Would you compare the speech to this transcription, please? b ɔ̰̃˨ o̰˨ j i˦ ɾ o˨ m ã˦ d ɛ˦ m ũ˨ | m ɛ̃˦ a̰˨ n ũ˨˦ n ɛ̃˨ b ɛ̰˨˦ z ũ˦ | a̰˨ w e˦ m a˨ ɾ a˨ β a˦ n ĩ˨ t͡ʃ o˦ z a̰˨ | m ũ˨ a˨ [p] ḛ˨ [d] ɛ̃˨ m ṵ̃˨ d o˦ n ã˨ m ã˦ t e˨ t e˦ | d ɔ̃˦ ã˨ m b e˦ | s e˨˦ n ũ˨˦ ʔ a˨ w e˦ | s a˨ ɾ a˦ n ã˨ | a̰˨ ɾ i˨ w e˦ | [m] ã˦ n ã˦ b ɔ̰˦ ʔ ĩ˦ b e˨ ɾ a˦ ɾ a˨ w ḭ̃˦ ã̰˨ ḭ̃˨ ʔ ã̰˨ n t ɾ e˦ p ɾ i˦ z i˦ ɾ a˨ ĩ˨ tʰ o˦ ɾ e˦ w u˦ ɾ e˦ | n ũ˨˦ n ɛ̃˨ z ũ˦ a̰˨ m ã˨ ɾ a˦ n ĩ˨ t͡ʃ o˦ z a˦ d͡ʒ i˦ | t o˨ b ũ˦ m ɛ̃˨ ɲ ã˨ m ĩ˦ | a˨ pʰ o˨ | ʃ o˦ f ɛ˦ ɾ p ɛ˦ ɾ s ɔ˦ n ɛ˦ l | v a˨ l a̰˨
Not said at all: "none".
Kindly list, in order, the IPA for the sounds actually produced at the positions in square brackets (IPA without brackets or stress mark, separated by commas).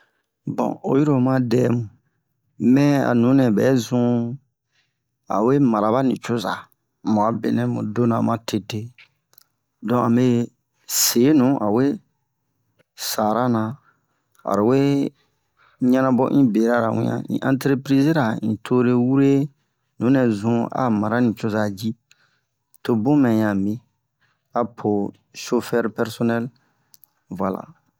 b, n, ɲ